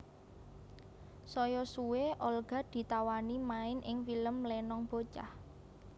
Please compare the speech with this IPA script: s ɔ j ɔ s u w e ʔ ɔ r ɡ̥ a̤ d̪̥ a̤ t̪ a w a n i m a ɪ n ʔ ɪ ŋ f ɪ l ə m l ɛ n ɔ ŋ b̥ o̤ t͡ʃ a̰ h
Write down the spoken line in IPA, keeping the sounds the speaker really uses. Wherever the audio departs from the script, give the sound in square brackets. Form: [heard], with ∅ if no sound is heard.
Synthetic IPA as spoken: s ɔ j ɔ s u w e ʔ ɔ [l] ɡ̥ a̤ d̪̥ [i̤] t̪ a w a n i m a ɪ n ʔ ɪ ŋ f [i] l ə m l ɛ n ɔ ŋ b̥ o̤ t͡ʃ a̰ h